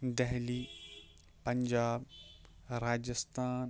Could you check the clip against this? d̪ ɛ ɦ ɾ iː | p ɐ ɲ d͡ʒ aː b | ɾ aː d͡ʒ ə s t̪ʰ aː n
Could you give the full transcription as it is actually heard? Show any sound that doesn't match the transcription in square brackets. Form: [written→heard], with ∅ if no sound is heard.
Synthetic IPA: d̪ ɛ ɦ [ɾ→l] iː | p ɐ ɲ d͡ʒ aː b | ɾ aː d͡ʒ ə s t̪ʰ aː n